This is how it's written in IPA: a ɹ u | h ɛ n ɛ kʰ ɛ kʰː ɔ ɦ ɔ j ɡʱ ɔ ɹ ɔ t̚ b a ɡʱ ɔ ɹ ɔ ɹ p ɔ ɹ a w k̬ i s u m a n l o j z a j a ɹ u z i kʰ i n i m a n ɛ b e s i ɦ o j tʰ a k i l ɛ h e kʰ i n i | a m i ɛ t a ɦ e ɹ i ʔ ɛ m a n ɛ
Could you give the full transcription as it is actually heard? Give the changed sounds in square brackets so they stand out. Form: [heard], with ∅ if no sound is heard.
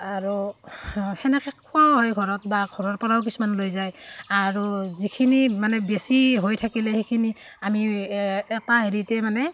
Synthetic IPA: a ɹ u | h ɛ n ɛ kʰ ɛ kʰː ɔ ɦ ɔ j ɡʱ ɔ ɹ ɔ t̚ b a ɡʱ ɔ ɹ ɔ ɹ p ɔ ɹ a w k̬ i s u m a n l o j z a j a ɹ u z i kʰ i n i m a n ɛ b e s i ɦ o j tʰ a k i l ɛ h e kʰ i n i | a m i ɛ t a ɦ e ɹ i [t] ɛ m a n ɛ